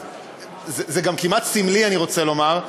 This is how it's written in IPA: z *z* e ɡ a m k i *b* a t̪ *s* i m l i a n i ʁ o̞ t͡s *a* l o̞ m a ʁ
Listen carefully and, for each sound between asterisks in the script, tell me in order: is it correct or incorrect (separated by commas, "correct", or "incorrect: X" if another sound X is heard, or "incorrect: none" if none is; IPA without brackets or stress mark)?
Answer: correct, incorrect: m, correct, incorrect: e